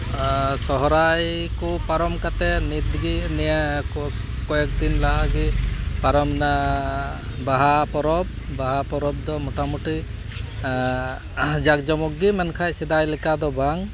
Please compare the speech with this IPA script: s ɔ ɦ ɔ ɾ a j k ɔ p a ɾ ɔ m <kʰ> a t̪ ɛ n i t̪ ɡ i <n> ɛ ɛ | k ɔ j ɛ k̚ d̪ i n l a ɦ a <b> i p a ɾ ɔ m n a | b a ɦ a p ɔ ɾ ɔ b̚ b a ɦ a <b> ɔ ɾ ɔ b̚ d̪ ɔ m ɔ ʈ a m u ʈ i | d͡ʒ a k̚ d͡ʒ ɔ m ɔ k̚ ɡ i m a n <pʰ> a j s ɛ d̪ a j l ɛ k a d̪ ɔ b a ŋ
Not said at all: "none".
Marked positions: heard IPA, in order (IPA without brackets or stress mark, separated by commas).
k, n, ɡ, p, kʰ